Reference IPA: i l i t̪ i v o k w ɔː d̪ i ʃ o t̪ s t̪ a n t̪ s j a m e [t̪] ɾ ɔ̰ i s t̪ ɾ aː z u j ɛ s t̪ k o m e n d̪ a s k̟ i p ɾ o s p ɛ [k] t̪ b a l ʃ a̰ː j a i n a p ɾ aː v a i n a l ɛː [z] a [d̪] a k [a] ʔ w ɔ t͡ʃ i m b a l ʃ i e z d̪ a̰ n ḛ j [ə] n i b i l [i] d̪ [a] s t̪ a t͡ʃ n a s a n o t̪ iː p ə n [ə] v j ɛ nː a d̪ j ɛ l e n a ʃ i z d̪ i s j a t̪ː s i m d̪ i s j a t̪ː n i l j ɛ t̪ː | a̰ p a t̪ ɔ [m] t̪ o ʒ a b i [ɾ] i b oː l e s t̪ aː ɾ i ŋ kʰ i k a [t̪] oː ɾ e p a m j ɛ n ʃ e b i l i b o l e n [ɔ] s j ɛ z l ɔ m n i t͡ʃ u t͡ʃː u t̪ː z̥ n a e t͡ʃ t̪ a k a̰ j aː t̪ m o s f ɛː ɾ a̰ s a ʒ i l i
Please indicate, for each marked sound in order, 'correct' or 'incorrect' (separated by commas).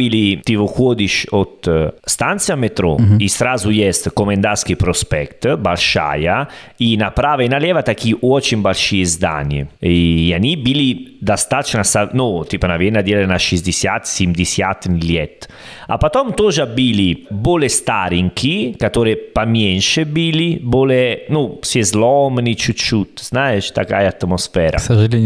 correct, correct, incorrect, incorrect, incorrect, incorrect, correct, correct, incorrect, correct, incorrect, correct, incorrect